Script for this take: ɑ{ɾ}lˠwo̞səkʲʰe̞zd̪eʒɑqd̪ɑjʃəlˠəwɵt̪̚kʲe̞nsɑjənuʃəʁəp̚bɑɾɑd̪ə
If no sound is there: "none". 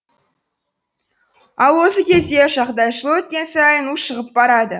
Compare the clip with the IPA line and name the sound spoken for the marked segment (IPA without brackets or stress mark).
none